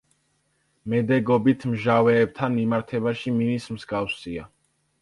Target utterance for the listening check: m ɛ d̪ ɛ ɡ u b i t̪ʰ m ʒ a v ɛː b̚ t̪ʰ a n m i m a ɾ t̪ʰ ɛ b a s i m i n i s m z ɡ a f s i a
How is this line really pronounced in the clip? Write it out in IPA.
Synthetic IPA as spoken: m ɛ d̪ ɛ ɡ ɔ b i t̪ʰ m ʒ a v ɛː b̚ t̪ʰ a n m i m a ɾ t̪ʰ ɛ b a ʃ i m i n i s m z ɡ a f s i a